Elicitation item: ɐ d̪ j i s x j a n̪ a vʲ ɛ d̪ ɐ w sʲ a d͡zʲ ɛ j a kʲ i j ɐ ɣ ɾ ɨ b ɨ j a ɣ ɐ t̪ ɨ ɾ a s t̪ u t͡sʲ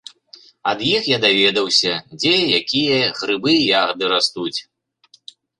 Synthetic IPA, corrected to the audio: ɐ d̪ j i x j a d̪ a vʲ ɛ d̪ ɐ w sʲ ɐ d͡zʲ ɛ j a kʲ i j ɐ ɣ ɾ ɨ b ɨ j a ɣ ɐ d̪ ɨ ɾ a s t̪ u t͡sʲ